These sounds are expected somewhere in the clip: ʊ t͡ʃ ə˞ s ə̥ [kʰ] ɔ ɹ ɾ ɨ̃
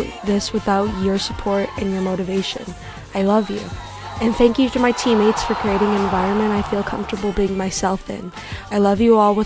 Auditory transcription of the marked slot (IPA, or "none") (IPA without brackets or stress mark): pʰ